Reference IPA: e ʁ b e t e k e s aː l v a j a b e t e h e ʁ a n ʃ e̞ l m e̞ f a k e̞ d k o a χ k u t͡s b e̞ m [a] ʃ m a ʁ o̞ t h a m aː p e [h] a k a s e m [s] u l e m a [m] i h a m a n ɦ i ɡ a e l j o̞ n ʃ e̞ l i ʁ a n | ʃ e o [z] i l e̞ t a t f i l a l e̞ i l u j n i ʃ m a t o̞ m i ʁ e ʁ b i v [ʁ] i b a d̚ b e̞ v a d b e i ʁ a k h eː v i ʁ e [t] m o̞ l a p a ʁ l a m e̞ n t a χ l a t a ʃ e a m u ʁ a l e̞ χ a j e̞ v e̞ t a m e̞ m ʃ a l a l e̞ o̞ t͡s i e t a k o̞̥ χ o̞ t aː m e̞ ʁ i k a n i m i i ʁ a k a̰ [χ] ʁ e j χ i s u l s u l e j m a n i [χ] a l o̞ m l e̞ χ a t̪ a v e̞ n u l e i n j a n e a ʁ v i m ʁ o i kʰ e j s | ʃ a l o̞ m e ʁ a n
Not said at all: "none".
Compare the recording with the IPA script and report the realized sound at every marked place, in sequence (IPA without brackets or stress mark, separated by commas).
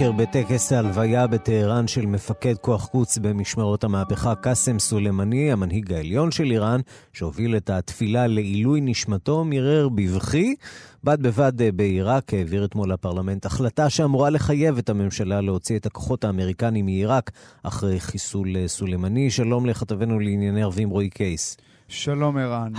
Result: i, χ, s, n, v, χ, t, χ, ʃ